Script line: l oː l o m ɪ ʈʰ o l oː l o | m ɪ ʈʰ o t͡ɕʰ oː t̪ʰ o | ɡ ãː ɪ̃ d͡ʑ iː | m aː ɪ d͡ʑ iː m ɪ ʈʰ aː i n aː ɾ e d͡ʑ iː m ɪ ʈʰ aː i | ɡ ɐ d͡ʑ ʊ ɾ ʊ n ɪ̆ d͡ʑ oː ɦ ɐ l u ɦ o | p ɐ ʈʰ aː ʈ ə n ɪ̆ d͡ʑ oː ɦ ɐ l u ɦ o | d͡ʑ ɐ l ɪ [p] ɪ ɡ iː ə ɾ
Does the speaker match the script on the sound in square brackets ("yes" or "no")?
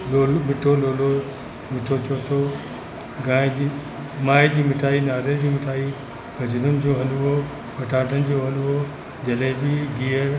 no